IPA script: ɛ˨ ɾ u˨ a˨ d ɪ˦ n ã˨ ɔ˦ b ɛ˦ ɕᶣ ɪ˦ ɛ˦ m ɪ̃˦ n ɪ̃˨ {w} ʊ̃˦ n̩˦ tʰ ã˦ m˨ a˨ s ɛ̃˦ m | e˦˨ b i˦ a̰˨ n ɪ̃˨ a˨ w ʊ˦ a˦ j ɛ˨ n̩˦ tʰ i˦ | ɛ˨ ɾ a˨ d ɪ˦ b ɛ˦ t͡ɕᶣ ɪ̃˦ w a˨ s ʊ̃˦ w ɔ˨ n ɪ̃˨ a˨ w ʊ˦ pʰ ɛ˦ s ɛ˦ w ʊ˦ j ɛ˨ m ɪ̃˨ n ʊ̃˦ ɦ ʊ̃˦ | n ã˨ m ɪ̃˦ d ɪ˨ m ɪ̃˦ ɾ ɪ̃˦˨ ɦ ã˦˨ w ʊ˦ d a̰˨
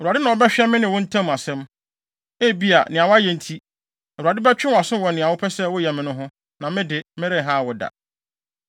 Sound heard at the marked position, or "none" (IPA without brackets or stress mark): w